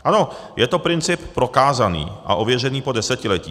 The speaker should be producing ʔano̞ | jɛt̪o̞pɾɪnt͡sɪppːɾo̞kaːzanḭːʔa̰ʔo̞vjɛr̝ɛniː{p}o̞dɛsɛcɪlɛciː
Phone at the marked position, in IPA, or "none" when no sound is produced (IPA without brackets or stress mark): p